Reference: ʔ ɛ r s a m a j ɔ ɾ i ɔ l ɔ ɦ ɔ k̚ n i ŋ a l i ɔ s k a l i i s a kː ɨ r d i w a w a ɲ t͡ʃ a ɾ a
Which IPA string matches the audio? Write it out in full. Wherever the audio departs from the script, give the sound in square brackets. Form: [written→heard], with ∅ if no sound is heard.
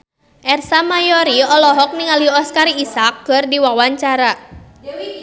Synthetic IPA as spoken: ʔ ɛ r s a m a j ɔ ɾ i ɔ l ɔ ɦ ɔ k̚ n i ŋ a l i ɔ s k a [l→ɾ] i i s a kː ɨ r d i w a w a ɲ t͡ʃ a ɾ a